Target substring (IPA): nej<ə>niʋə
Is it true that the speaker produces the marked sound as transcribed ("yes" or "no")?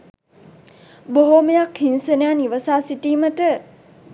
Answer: no